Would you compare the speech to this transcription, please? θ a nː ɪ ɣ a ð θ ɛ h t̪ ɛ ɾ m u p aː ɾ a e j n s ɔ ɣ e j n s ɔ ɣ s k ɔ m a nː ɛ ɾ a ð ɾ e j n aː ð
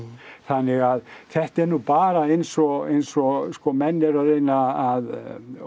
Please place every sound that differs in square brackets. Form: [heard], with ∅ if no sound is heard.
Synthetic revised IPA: θ a nː ɪ ɣ a ð θ ɛ h t̪ ɛ ɾ [n] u p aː ɾ a e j n s ɔ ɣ e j n s ɔ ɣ s k ɔ m [ɛ] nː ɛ ɾ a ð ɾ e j n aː ð